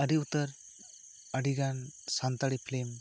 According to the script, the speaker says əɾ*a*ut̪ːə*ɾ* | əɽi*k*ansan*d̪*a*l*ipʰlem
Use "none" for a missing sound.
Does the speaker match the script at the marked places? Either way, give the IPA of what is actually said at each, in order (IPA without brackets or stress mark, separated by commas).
i, ɾ, ɡ, t̪, ɽ